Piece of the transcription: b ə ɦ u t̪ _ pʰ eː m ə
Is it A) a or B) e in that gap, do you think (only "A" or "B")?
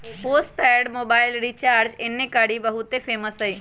B